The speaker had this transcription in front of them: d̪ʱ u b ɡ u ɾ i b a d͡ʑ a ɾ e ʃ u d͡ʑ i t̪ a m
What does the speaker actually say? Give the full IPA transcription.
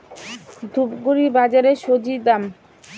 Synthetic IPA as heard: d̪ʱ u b ɡ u ɾ i b a d͡ʑ a ɾ e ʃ o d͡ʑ i d̪ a m